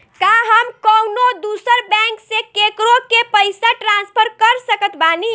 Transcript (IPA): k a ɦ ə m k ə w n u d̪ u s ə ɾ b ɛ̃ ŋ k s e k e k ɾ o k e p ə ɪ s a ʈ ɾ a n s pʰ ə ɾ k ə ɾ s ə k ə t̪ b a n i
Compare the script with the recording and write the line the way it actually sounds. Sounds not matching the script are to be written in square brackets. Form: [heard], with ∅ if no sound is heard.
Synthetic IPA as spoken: k a ɦ ə m k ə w n [o] d̪ u s ə ɾ b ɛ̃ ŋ k s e k e k ɾ o k e p ə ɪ s a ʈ ɾ a n s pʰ ə ɾ k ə ɾ s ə k ə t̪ b a n i

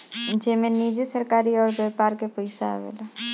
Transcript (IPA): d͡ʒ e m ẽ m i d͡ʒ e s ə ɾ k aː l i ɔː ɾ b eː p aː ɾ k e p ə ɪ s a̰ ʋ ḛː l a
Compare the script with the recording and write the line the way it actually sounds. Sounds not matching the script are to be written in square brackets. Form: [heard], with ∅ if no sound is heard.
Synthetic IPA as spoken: d͡ʒ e m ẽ [n] i d͡ʒ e s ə ɾ k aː [ɾ] i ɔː ɾ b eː p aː ɾ k e p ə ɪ s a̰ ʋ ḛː l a

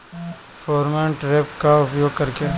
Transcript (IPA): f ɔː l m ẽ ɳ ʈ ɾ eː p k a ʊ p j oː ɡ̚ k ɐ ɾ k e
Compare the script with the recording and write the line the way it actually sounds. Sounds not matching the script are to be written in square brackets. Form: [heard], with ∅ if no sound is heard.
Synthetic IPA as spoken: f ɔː [ɾ] m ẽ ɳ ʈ ɾ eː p k a ʊ p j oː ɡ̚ k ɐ ɾ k e

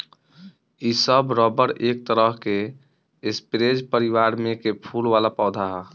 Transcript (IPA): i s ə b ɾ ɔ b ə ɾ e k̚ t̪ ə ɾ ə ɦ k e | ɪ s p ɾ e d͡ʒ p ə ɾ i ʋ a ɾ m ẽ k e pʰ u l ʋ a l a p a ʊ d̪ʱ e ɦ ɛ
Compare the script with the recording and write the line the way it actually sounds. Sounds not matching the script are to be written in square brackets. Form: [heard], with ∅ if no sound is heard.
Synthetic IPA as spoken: i s ə b ɾ ɔ b ə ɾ e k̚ t̪ ə ɾ ə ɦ k e | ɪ s p ɾ e d͡ʒ p ə ɾ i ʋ a ɾ m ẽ k e pʰ u l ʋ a l a p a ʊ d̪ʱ [a] ɦ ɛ

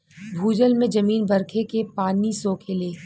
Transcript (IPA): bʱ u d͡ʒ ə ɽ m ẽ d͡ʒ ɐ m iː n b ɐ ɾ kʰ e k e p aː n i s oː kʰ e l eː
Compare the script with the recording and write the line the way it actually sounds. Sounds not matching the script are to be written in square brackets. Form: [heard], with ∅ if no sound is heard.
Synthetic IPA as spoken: bʱ [uː] d͡ʒ ə [l] m ẽ d͡ʒ ɐ m iː n b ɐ ɾ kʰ e k e p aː n i s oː kʰ e l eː

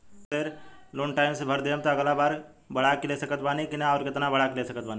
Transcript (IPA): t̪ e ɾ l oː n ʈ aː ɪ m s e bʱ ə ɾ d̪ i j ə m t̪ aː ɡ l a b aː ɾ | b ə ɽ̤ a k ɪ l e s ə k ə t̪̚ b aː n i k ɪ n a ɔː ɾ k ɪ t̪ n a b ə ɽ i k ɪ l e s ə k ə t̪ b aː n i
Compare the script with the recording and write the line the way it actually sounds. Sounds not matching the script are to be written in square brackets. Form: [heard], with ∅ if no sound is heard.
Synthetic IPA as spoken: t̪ e ɾ l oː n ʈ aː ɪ m s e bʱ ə ɾ d̪ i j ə m t̪ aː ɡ l a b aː ɾ | b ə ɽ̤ a k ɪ l e s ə k ə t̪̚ b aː n i k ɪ n a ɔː ɾ k ɪ t̪ n a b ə ɽ [a] k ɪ l e s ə k ə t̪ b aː n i

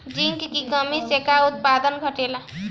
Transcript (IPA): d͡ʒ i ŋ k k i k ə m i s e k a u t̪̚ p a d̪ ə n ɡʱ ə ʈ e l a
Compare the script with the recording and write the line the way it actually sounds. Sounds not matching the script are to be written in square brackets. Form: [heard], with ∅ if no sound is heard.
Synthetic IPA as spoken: d͡ʒ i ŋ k k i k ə m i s e k a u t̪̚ p a d̪ ə n ɡʱ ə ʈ e l a

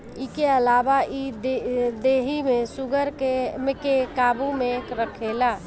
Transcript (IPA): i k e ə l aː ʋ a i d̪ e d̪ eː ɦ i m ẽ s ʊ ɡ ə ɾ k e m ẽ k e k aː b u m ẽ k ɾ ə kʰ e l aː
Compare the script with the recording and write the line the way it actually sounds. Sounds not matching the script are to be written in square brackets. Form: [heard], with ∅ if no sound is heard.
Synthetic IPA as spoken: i k e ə l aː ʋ a i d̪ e d̪ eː ɦ i m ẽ s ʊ ɡ ə ɾ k e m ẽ k e k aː b u m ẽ k ɾ ə kʰ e l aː

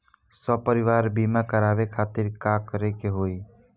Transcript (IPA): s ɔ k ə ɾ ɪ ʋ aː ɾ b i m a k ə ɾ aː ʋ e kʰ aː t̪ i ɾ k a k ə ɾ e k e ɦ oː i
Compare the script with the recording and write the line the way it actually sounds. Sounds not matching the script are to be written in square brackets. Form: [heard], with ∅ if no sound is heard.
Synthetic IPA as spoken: s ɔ [p] ə ɾ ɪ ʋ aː ɾ b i m a k ə ɾ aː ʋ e kʰ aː t̪ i ɾ k a k ə ɾ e k e ɦ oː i

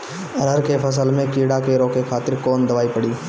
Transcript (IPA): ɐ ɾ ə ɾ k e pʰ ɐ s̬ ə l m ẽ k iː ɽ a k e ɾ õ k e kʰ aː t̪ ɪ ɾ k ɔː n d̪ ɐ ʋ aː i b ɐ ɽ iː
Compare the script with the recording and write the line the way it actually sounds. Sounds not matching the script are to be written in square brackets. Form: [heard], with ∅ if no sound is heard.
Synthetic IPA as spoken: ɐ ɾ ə ɾ k e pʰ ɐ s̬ ə l m ẽ k iː ɽ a k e ɾ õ k e kʰ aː t̪ ɪ ɾ k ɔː n d̪ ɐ ʋ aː i [p] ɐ ɽ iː

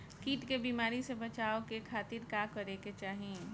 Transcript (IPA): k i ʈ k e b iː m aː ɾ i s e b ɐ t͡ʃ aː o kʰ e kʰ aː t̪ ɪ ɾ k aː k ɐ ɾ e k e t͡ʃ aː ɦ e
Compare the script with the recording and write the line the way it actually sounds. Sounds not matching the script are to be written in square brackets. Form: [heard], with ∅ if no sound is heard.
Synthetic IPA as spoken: k [iː] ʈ k e b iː m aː ɾ i s e b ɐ t͡ʃ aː o [k] e kʰ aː t̪ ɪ ɾ k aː k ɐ ɾ e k e t͡ʃ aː ɦ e

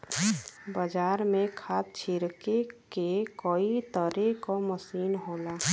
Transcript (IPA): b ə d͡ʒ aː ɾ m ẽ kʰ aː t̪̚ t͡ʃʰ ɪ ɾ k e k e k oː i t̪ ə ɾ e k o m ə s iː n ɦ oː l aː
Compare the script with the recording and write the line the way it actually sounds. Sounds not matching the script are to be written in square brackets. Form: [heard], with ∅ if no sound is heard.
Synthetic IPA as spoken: b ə d͡ʒ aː ɾ m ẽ kʰ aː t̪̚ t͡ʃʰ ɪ ɾ k e k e k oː i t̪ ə ɾ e k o m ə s iː n ɦ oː l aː

